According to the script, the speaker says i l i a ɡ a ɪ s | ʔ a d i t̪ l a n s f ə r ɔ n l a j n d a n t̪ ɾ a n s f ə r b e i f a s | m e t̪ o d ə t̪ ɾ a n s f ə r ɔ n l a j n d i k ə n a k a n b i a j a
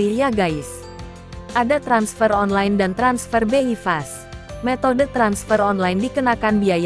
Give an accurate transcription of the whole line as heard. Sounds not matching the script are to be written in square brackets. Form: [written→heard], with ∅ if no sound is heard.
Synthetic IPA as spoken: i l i a ɡ a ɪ s | ʔ a d [i→a] t̪ [l→ɾ] a n s f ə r ɔ n l a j n d a n t̪ ɾ a n s f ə r b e i f a s | m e t̪ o d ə t̪ ɾ a n s f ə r ɔ n l a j n d i k ə n a k a n b i a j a